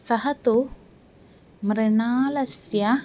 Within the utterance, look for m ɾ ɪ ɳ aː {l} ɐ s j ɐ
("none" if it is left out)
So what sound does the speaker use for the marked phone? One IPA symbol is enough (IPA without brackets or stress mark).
l